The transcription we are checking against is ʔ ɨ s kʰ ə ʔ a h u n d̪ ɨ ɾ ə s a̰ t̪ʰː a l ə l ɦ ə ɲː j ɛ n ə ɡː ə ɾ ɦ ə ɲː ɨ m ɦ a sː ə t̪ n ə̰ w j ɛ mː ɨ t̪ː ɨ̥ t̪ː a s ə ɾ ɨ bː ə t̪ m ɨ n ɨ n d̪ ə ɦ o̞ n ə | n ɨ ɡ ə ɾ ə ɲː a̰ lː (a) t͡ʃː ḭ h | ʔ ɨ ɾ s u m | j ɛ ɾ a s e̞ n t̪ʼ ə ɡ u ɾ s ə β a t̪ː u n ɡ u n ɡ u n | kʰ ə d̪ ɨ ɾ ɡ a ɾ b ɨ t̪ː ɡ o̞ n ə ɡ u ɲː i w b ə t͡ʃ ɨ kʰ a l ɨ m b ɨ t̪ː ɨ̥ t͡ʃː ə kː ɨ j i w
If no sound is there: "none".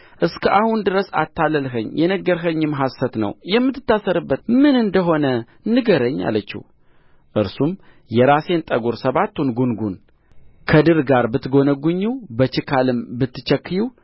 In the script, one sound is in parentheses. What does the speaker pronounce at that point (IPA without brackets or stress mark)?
ə